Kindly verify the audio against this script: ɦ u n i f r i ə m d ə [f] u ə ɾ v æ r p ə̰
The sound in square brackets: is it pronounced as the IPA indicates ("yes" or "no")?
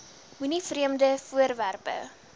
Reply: yes